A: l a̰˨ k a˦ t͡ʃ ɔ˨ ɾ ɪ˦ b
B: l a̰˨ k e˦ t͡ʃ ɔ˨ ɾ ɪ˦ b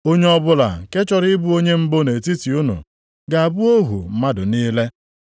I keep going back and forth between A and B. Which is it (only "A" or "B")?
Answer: B